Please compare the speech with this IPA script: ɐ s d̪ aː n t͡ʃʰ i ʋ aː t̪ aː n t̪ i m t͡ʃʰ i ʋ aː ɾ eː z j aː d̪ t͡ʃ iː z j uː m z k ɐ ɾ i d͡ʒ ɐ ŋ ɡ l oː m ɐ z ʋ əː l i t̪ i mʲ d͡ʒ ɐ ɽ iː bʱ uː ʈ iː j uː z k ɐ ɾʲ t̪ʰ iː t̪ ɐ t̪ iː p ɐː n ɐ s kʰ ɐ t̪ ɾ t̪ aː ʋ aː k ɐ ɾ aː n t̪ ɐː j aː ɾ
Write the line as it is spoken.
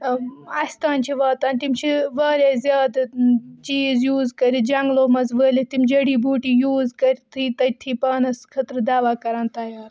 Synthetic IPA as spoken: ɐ s t̪ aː n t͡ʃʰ i ʋ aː t̪ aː n t̪ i m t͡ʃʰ i ʋ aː ɾ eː z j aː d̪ t͡ʃ iː z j uː z k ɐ ɾ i d͡ʒ ɐ ŋ ɡ l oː m ɐ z ʋ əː l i t̪ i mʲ d͡ʒ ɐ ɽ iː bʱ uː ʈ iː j uː z k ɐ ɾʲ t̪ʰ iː t̪ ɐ t̪ʰ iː p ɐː n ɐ s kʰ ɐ t̪ ɾ d̪ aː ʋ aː k ɐ ɾ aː n t̪ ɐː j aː ɾ